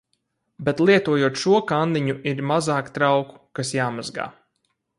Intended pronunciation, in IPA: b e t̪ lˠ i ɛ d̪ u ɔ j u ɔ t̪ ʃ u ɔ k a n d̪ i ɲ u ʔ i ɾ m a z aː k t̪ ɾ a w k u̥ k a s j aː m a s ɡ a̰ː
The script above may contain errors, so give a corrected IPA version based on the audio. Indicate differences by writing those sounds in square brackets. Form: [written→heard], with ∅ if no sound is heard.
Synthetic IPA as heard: b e t̪ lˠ i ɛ [d̪→t̪] u ɔ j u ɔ t̪ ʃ u ɔ k a n d̪ i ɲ u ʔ i ɾ m a z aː k t̪ ɾ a w k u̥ k a s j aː m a [s→z] ɡ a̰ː